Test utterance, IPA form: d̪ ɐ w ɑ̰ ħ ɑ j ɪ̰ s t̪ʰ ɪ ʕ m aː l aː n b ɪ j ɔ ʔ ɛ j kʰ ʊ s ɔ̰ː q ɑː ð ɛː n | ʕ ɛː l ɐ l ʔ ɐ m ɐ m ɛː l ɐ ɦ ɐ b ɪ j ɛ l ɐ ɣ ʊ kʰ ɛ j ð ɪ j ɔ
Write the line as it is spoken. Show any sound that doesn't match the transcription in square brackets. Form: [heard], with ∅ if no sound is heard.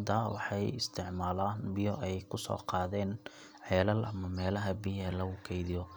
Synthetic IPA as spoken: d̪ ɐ w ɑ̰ ħ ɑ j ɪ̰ s t̪ʰ ɪ ʕ m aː l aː n b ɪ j ɔ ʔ ɛ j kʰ ʊ s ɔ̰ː q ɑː ð ɛː n | ʕ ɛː l ɐ l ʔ ɐ m ɐ m ɛː l ɐ ɦ ɐ b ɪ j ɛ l ɐ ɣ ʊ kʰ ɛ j ð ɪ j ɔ